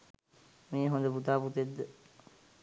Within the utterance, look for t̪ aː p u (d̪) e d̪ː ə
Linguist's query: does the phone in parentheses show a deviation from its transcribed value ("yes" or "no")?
yes